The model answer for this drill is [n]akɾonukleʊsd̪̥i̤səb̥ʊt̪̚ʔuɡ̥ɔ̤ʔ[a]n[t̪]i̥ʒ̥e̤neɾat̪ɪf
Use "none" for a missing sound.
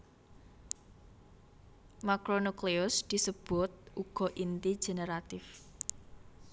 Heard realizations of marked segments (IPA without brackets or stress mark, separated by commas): m, i, t̪